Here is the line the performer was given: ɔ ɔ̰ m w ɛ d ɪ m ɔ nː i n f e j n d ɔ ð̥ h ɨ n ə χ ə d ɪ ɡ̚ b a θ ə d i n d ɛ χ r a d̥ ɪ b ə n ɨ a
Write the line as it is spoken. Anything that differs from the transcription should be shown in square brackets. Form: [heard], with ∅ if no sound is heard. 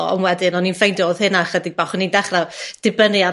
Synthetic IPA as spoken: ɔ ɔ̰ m w ɛ d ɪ [n] ɔ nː i n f e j n d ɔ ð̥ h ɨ n [a] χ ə d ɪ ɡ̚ b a [χ] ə [n] i n d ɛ χ r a d̥ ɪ b ə n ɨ a